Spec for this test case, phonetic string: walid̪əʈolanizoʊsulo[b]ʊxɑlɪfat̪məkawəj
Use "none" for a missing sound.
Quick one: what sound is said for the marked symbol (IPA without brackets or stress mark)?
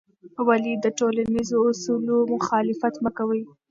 m